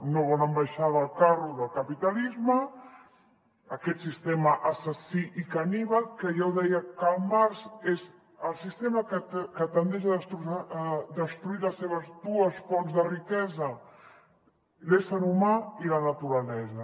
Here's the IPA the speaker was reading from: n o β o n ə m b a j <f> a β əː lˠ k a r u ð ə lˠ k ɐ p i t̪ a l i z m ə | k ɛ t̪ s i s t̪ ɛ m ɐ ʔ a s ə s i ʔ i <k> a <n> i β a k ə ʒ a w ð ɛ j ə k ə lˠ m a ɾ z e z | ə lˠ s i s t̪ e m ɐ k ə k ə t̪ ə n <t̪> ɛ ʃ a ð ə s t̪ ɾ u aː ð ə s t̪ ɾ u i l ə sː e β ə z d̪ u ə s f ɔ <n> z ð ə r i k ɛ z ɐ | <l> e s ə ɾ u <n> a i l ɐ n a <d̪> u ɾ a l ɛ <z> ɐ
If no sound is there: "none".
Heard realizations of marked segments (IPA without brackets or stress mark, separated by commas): ʃ, k, n, d̪, n, l, m, t̪, z